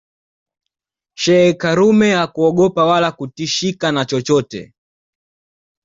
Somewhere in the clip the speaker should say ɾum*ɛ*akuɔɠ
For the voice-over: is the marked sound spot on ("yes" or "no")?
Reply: yes